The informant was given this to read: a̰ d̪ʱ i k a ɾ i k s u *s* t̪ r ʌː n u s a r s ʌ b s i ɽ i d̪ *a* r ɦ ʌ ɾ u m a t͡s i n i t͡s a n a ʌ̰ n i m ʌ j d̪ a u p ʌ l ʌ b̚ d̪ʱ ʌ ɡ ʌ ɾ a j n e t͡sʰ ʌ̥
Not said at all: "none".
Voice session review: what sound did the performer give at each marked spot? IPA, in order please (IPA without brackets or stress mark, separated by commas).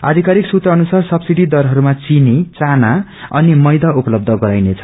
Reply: none, ʌ